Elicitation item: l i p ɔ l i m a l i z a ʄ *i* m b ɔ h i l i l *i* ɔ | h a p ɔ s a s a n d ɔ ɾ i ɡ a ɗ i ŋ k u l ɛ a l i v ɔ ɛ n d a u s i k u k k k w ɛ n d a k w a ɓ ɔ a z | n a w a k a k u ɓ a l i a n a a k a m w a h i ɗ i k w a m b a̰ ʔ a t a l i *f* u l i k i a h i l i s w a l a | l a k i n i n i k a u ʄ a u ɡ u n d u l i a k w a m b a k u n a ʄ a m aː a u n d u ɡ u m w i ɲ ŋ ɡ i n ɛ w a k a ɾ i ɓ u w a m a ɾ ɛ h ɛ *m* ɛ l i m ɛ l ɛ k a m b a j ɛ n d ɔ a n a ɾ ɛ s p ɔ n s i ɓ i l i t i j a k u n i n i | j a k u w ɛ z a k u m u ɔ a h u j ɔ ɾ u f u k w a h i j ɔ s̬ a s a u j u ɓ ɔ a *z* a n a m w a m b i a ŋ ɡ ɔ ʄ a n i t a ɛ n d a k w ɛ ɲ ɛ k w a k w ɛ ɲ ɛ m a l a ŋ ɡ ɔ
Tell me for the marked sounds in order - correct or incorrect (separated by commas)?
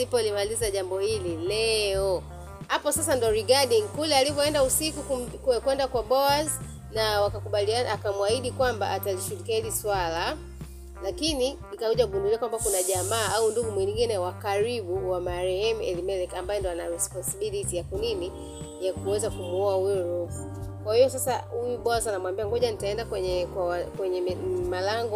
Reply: incorrect, incorrect, incorrect, correct, correct